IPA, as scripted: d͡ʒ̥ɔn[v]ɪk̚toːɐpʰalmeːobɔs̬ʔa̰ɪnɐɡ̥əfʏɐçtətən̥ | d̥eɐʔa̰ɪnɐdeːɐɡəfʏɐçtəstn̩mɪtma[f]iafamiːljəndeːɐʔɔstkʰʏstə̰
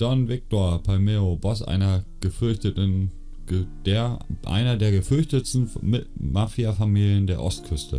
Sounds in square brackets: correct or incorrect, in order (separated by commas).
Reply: correct, correct